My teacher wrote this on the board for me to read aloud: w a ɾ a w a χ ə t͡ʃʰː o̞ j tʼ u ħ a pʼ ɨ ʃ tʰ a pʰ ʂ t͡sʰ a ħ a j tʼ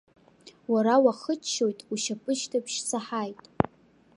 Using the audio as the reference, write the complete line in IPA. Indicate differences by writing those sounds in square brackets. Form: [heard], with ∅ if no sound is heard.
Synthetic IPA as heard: w a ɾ a w a χ ə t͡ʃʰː o̞ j tʼ u [ʃ] a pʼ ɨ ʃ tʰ a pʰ [ʃ] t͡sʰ a ħ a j tʼ

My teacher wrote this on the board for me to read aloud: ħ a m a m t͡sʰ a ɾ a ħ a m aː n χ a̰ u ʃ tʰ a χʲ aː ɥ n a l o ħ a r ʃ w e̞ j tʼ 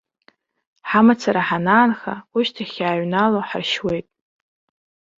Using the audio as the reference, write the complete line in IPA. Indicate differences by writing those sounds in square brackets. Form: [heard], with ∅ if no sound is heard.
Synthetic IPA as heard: ħ a m a [∅] t͡sʰ a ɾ a ħ a [n] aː n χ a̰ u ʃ tʰ a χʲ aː ɥ n a l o ħ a r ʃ w e̞ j tʼ

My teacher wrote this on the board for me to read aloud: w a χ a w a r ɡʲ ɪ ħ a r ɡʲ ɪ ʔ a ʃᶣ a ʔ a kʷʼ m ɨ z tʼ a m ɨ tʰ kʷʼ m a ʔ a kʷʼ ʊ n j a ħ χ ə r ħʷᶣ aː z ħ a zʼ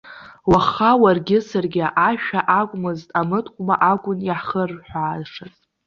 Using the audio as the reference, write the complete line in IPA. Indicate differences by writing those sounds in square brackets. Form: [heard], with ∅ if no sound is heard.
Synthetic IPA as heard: w a χ a w a r ɡʲ ɪ [s] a r ɡʲ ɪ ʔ a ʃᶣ a ʔ a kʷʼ m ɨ z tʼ a m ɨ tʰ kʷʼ m a ʔ a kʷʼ ʊ n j a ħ χ ə r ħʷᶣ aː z [ʂ] a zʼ

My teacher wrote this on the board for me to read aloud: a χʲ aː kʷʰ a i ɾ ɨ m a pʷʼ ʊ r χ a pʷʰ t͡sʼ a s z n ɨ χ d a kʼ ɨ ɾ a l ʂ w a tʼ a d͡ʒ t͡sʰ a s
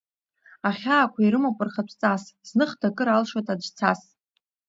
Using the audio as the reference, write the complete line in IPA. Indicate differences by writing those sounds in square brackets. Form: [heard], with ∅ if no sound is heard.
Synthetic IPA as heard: a χʲ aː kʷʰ a i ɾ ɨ m a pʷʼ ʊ r χ a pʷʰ t͡sʼ a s z n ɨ χ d a kʼ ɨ ɾ a l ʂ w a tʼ a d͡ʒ t͡sʰ a s

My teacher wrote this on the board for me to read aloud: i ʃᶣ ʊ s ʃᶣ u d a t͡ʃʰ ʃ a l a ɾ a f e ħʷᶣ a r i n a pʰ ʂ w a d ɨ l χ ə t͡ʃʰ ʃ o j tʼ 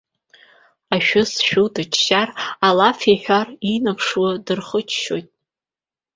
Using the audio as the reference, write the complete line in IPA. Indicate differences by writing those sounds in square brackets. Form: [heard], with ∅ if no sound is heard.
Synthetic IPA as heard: [a] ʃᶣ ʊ s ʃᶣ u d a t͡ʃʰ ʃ a [r] a [l] a f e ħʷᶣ a r i n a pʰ ʂ w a d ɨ [r] χ ə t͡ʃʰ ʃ o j tʼ

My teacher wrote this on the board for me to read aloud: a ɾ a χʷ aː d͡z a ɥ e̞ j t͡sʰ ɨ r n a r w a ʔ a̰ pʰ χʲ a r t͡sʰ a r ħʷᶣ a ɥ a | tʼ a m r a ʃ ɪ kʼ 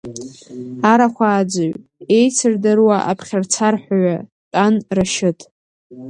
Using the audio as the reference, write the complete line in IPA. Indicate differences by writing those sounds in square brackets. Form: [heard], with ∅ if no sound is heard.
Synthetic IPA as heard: a ɾ a χʷ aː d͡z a ɥ e̞ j t͡sʰ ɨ r [d] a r w a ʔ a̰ pʰ χʲ a r t͡sʰ a r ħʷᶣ a ɥ a | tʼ a [n] r a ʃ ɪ [tʼ]

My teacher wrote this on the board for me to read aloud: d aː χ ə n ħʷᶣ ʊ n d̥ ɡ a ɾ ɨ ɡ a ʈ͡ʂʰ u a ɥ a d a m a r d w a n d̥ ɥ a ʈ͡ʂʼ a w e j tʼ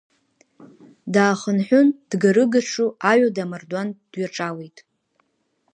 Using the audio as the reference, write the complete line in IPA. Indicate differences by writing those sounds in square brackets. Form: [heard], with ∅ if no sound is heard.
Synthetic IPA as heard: d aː χ ə n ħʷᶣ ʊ n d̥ ɡ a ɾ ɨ ɡ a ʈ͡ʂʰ u a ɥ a d a m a r d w a n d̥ ɥ a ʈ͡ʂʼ a w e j tʼ

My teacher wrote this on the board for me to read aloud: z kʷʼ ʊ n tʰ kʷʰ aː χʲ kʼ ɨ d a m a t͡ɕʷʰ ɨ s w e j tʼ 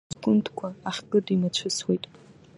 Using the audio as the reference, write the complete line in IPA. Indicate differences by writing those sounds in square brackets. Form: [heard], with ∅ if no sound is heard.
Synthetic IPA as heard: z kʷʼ ʊ n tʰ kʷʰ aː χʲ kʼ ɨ d [i] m a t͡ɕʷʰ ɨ s w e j tʼ

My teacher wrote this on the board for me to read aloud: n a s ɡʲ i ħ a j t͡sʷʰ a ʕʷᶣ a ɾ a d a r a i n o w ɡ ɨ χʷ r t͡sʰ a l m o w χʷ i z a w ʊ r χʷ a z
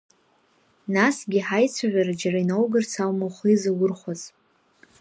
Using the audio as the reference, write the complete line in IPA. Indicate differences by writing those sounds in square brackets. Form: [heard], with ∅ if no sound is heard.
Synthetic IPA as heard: n a s ɡʲ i ħ a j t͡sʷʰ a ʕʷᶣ a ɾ a [d͡ʒ] a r a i n o w ɡ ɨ [∅] r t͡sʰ a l m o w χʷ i z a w ʊ r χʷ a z

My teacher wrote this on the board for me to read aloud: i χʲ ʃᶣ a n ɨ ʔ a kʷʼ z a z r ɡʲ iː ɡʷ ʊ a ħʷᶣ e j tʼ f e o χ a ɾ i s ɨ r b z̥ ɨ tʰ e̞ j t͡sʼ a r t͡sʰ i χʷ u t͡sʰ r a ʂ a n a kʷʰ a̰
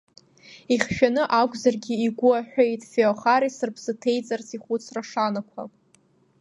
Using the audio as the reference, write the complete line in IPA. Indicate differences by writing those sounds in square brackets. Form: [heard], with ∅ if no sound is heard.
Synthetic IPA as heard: i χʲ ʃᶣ a n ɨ ʔ a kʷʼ z a [∅] r ɡʲ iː ɡʷ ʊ a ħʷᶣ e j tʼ f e o χ a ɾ i s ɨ r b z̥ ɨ tʰ e̞ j t͡sʼ a r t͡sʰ i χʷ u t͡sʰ r a ʂ a n a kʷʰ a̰

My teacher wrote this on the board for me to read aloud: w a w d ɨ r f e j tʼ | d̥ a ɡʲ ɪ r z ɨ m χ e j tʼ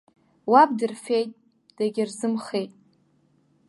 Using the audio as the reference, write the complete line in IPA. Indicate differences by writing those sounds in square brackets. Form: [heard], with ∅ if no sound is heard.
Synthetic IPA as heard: w a [b] d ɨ r f e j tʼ | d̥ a ɡʲ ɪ r z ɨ m χ e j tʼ

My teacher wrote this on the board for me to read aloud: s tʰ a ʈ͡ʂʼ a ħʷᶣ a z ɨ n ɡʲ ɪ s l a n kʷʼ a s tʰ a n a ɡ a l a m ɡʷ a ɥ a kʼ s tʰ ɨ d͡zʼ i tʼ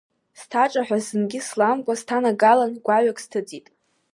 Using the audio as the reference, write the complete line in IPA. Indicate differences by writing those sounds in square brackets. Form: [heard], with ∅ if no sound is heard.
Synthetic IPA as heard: s tʰ a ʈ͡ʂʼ a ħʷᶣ a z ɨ n ɡʲ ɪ s l a [m] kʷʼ a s tʰ a n a ɡ a l a [n] ɡʷ a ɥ a kʼ s tʰ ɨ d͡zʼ i tʼ

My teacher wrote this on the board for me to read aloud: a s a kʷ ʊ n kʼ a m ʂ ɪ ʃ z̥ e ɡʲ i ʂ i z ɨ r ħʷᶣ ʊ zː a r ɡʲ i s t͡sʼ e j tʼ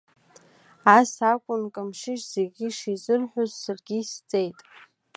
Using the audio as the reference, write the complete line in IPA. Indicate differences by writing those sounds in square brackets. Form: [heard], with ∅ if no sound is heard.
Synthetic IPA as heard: a s a [kʷʼ] ʊ n kʼ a m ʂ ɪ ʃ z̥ e ɡʲ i ʂ i z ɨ r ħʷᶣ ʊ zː a r ɡʲ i s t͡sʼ e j tʼ

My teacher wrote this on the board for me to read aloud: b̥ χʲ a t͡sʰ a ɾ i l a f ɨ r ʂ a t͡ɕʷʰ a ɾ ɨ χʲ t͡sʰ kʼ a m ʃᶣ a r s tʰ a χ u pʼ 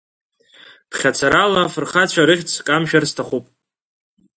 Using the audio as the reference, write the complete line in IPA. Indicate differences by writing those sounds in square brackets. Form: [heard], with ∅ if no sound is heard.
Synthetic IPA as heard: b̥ χʲ a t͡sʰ a ɾ [a] l a f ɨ r [χ] a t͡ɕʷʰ a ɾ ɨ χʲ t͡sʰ kʼ a m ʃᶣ a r s tʰ a χ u pʼ

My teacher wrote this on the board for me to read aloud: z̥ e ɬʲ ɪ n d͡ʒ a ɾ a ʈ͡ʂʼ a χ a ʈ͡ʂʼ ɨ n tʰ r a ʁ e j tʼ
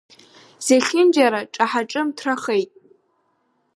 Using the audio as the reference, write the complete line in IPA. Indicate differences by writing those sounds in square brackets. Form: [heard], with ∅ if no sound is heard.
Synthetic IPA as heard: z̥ e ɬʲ ɪ n d͡ʒ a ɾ a ʈ͡ʂʼ a [ħ] a ʈ͡ʂʼ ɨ [m] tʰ r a [χ] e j tʼ

